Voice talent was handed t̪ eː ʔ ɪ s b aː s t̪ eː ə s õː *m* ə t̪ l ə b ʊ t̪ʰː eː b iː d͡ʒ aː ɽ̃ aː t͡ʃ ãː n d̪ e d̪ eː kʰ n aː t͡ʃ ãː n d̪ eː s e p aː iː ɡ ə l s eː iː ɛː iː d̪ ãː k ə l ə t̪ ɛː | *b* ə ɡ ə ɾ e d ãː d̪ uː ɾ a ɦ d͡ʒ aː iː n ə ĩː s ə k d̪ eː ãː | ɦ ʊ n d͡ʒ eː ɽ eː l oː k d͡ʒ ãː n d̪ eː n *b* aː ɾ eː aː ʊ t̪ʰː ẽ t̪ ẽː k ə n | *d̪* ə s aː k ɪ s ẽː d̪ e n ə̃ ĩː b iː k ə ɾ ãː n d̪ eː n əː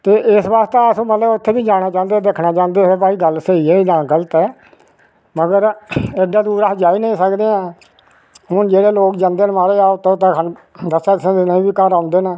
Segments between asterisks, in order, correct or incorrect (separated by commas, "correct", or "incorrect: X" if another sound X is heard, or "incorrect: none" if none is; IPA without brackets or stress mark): correct, incorrect: m, incorrect: m, correct